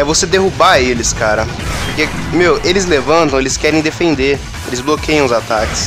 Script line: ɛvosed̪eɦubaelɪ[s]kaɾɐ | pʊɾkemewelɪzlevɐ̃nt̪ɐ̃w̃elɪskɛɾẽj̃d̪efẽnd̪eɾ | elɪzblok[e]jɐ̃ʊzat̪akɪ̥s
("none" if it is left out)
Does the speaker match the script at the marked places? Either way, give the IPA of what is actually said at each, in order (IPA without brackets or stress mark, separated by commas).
s, e